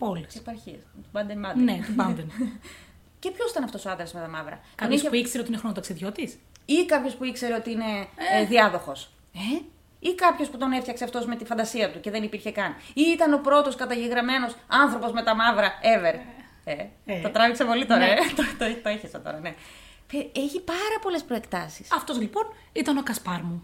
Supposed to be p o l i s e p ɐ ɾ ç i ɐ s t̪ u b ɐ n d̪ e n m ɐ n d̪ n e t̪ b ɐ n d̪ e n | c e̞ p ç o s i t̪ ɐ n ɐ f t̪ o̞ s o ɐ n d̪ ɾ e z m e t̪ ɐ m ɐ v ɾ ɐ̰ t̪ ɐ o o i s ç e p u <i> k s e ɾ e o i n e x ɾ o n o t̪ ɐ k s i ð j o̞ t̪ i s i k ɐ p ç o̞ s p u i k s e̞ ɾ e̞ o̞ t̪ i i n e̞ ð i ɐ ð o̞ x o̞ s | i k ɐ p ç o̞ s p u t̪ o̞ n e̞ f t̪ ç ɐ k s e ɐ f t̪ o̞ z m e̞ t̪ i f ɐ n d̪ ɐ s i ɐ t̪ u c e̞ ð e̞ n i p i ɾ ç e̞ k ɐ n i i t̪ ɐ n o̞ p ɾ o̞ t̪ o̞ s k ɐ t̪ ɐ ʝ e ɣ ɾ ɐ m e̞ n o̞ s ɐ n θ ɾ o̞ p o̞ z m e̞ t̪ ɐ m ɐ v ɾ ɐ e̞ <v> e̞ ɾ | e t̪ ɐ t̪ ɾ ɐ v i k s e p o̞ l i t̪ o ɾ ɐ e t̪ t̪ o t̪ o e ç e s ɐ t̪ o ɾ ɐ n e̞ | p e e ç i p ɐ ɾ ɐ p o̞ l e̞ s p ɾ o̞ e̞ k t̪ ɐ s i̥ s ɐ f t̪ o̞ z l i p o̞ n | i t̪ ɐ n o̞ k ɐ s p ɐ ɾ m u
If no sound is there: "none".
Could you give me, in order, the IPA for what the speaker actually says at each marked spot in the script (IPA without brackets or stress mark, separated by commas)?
i, v